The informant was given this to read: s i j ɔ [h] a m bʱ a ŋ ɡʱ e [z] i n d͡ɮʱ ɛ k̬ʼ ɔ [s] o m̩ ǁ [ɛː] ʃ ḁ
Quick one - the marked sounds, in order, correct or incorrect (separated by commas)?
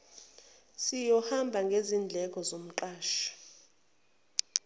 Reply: correct, correct, incorrect, incorrect